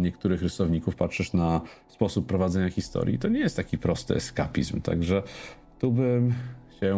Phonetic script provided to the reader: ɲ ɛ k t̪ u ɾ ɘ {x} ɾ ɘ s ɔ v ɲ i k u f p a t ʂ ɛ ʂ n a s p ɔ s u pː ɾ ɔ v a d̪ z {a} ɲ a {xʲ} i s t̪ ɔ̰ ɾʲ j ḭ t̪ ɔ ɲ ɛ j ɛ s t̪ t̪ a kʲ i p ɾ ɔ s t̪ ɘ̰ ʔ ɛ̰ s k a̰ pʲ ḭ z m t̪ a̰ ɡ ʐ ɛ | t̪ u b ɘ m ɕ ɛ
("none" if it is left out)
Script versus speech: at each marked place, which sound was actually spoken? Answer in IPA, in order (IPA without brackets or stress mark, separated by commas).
x, ɛ, xʲ